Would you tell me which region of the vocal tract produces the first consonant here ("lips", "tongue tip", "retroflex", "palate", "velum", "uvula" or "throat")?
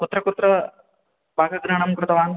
velum